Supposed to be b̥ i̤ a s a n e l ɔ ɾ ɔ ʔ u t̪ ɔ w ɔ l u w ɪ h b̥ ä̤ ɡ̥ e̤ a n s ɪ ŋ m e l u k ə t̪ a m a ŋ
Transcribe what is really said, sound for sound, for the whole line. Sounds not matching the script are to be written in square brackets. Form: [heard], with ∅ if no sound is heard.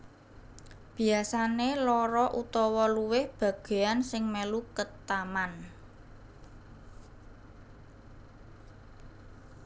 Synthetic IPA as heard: b̥ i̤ a s a n e l ɔ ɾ ɔ ʔ u t̪ ɔ w ɔ l u w ɪ h b̥ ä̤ ɡ̥ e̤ a n s ɪ ŋ m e l u k ə t̪ a m a [n]